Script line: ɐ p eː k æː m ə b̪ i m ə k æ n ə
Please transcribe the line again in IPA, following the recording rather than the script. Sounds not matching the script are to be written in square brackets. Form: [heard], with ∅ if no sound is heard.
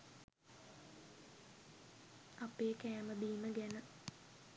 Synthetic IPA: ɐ p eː k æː m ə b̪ [iː] m ə [ɡ] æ n ə

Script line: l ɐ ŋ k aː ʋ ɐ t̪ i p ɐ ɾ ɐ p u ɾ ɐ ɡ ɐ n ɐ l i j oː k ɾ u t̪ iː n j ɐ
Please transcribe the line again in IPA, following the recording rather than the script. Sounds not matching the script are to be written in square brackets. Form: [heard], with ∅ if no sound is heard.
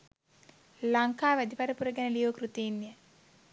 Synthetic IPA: l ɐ ŋ k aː ʋ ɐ [d̪] i p ɐ ɾ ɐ p u ɾ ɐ ɡ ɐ n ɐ l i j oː k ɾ u t̪ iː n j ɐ

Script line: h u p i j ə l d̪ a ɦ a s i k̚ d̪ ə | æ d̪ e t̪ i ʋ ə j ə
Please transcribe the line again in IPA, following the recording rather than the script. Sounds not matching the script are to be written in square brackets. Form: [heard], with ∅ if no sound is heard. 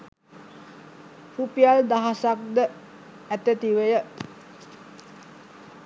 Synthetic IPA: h u p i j [a] l d̪ a ɦ a s [a] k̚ d̪ ə | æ [t̪] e t̪ i ʋ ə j ə

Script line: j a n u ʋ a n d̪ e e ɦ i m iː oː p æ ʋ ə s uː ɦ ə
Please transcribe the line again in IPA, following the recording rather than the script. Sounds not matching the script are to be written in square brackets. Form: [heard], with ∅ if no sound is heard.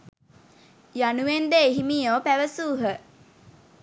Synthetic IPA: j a n u ʋ [e] n d̪ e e ɦ i m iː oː p æ ʋ ə s uː ɦ ə

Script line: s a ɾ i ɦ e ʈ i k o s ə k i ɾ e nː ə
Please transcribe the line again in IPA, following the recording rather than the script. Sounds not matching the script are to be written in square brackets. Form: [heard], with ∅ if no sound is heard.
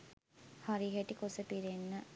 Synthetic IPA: [h] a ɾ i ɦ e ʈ i k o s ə [p] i ɾ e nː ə

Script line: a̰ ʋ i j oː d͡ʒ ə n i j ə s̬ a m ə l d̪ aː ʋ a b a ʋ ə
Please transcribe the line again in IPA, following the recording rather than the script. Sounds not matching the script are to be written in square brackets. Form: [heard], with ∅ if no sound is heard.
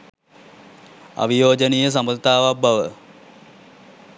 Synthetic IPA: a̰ ʋ i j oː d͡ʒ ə n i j ə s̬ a m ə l [t̪] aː ʋ a b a ʋ ə

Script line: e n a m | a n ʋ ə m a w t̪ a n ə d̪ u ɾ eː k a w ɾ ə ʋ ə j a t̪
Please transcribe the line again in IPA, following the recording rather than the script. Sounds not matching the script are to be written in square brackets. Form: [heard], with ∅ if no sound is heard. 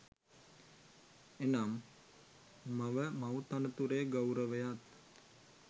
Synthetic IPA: e n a m | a [∅] ʋ ə m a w t̪ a n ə [t̪] u ɾ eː [ɡ] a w ɾ ə ʋ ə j a t̪

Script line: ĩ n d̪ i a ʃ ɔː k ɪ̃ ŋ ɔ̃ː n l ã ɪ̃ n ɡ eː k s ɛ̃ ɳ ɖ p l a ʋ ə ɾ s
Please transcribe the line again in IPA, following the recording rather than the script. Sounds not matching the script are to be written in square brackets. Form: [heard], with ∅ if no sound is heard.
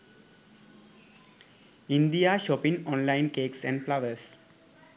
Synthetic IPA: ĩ n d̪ i a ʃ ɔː [p] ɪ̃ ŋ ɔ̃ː n l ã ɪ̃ n [k] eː k s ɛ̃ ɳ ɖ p l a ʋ ə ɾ s

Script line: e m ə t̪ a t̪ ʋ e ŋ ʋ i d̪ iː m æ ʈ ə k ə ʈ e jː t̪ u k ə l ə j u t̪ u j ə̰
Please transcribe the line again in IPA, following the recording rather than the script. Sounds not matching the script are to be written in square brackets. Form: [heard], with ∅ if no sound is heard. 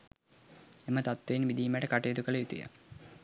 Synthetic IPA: e m ə t̪ a t̪ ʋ e [n] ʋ i d̪ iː m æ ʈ ə k [a] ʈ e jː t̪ u k ə l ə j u t̪ u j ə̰

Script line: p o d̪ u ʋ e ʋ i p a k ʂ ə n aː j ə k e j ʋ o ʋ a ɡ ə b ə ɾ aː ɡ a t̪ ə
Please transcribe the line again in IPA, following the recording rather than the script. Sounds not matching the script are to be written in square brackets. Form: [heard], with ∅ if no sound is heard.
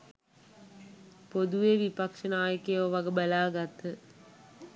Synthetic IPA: p o d̪ u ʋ e ʋ i p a k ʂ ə n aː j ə k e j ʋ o ʋ a ɡ ə b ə [l] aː ɡ a t̪ ə

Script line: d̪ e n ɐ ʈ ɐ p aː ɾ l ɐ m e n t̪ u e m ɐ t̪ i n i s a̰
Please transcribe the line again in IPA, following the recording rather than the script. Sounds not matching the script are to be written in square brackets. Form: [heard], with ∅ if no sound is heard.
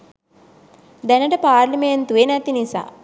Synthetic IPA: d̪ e n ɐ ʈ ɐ p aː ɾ l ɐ m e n t̪ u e [n] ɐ t̪ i n i s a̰

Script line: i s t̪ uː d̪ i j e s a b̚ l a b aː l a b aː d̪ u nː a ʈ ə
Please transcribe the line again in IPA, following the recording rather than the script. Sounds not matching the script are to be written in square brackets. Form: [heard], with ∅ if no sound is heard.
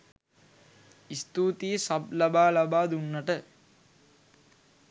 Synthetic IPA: i s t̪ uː [t̪] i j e s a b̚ l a b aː l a b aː d̪ u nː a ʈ ə

